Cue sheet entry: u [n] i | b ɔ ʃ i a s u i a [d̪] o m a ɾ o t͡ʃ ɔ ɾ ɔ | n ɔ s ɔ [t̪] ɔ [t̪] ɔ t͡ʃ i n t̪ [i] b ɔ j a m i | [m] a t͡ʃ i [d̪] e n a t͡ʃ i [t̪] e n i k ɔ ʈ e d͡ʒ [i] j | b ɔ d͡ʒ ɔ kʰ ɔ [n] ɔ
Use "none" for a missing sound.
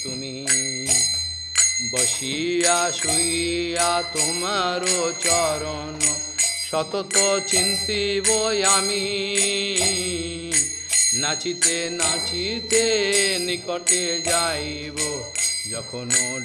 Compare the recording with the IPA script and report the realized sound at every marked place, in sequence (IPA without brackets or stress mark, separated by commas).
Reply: n, t̪, t̪, t̪, i, n, t̪, t̪, a, n